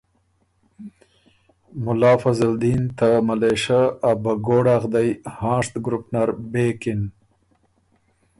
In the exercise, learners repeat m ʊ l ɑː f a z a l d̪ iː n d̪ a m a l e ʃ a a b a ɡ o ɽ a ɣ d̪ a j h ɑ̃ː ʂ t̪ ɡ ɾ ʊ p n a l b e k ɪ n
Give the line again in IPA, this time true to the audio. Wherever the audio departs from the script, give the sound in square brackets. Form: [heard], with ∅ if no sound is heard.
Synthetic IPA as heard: m ʊ l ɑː f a z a l d̪ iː n [t̪] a m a l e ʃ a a b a ɡ o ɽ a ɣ d̪ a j h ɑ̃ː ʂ t̪ ɡ ɾ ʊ p n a [ɾ] b e k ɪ n